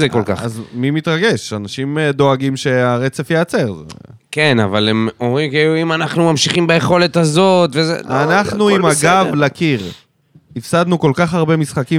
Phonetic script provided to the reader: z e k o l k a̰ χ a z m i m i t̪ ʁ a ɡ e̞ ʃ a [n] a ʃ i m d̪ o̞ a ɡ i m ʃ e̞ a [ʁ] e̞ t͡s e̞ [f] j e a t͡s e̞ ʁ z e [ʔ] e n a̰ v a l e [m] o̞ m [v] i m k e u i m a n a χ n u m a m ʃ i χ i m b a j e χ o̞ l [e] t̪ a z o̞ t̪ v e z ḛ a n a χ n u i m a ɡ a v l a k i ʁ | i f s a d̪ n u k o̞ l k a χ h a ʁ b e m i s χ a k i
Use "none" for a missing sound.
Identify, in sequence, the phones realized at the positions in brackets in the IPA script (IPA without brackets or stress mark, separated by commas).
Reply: n, ʁ, f, k, m, ʁ, e